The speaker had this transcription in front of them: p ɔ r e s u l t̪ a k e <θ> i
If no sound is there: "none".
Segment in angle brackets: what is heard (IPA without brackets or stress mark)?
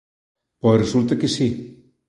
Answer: s